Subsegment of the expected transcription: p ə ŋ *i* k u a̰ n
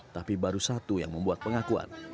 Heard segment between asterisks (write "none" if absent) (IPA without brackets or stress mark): a